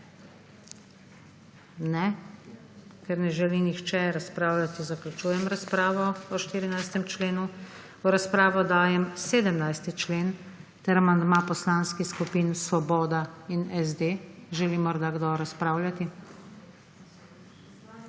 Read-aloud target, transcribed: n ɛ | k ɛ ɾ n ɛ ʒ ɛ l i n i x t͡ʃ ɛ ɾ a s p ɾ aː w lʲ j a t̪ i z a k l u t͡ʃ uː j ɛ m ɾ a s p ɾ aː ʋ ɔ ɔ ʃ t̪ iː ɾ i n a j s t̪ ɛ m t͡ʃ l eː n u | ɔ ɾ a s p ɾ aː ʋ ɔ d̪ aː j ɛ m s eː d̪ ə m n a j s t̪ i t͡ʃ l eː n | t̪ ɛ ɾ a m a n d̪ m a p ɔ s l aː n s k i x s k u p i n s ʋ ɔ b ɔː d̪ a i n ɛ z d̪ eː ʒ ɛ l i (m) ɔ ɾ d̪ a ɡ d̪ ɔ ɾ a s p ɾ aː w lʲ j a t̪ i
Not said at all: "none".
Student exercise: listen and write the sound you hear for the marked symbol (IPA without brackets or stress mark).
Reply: m